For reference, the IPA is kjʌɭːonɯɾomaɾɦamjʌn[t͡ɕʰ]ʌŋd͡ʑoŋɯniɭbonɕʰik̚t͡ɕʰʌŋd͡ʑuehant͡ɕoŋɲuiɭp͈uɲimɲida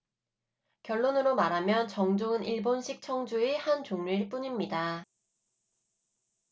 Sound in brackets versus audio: incorrect: t͡ɕ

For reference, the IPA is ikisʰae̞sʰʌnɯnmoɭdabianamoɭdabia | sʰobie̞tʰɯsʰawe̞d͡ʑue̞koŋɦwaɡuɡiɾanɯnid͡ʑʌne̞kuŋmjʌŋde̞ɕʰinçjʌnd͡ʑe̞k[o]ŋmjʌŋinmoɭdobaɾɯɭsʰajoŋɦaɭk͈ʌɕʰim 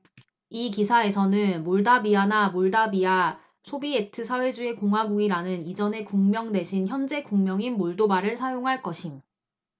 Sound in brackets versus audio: incorrect: u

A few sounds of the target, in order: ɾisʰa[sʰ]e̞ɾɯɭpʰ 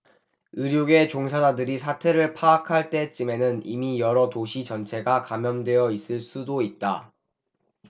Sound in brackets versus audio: incorrect: tʰ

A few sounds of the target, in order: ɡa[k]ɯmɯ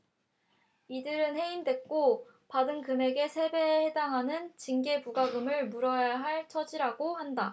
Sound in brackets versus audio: incorrect: ɡ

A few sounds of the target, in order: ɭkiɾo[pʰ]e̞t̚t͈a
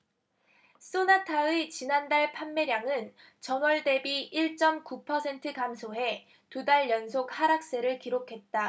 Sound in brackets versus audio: incorrect: kʰ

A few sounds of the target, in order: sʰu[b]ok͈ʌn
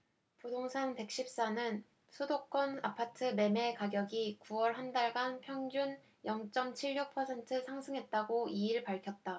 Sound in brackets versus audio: incorrect: d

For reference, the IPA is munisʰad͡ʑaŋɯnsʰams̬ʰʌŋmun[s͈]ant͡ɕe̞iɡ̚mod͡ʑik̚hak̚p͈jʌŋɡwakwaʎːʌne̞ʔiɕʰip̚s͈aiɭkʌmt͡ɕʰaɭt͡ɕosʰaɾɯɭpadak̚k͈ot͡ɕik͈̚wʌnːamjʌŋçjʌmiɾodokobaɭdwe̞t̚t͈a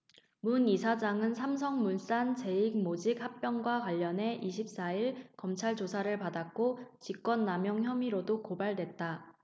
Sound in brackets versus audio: correct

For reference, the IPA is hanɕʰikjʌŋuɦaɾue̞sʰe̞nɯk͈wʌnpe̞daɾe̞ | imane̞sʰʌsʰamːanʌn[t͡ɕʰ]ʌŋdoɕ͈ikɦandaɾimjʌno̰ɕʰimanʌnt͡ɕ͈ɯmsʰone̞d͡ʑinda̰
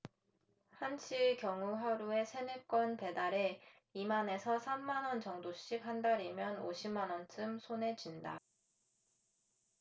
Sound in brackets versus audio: incorrect: t͡ɕ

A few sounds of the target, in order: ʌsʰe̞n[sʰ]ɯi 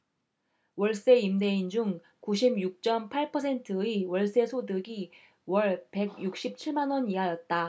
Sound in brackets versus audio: incorrect: tʰ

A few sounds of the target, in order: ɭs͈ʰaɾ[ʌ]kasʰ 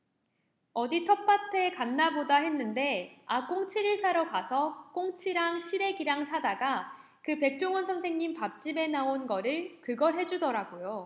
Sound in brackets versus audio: correct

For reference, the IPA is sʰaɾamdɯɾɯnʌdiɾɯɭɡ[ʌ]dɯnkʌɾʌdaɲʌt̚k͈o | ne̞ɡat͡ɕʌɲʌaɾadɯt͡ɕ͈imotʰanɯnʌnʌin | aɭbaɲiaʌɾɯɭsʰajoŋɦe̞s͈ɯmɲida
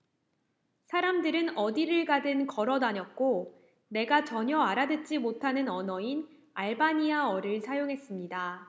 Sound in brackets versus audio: incorrect: a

